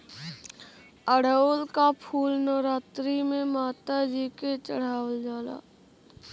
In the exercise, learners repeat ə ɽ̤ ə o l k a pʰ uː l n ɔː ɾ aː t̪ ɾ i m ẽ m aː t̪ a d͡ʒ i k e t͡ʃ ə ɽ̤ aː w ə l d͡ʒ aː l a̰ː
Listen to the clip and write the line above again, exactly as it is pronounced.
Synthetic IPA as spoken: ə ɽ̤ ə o l k a pʰ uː l n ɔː ɾ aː t̪ ɾ i m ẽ m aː t̪ a d͡ʒ i k e t͡ʃ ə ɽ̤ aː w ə l d͡ʒ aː l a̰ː